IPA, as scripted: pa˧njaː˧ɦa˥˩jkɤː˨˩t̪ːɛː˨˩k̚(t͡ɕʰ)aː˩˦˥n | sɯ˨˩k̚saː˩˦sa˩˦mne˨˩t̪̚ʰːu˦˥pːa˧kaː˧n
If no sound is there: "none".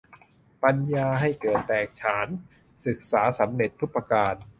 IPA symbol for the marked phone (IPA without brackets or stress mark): t͡ɕʰ